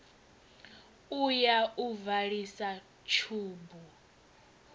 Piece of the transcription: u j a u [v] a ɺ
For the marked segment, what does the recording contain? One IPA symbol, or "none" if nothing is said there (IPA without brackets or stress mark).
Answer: v